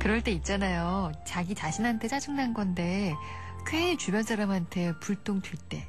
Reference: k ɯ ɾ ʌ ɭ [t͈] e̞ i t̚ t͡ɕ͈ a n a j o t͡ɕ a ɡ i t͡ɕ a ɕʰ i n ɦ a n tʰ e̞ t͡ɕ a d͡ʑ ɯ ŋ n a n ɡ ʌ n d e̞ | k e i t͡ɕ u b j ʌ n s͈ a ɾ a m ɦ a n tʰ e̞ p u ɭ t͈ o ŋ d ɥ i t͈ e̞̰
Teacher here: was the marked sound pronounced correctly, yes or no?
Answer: yes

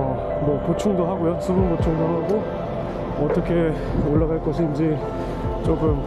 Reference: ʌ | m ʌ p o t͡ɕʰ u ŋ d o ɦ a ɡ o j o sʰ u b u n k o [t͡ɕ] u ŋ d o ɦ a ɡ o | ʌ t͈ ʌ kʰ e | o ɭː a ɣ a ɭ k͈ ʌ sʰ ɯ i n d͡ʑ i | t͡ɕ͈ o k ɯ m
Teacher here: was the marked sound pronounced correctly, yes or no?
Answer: no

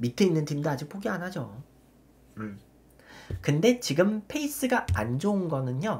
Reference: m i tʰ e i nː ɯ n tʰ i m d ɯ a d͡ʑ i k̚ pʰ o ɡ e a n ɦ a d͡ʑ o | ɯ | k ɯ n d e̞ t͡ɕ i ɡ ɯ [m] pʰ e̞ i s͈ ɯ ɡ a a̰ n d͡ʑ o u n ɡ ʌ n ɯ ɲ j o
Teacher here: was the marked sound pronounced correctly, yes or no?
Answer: yes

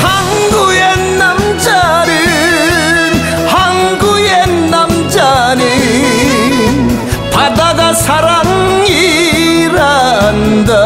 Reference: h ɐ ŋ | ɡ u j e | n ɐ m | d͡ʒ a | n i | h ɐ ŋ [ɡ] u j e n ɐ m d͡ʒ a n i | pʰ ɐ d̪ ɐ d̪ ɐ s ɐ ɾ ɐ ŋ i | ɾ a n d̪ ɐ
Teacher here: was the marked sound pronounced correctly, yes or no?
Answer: yes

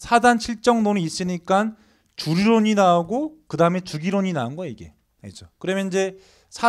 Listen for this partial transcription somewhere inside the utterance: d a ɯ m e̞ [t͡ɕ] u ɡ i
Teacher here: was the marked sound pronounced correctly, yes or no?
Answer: yes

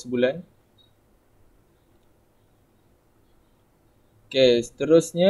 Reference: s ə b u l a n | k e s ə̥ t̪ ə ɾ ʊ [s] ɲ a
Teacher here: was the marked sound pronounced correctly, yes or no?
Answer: yes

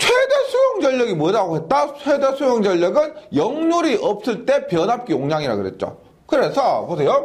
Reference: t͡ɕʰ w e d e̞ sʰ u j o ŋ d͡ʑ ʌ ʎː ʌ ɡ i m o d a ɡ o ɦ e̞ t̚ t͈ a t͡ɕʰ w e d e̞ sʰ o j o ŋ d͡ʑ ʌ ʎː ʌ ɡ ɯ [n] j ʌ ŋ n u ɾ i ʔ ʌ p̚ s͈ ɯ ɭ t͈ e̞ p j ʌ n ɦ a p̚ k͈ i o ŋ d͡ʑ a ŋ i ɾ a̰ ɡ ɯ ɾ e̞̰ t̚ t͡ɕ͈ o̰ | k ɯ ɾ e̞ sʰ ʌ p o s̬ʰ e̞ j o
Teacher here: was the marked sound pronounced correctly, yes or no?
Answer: yes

